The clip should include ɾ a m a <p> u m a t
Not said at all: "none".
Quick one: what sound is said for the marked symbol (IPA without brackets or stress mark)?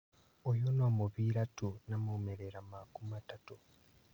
k